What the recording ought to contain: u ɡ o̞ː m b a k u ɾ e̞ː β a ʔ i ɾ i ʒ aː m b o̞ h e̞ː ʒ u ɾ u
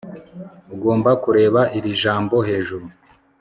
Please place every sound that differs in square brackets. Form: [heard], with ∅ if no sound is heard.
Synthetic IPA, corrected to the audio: u ɡ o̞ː m b a k u ɾ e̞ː β a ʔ i ɾ i ʒ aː m b o̞ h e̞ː ʒ u ɾ u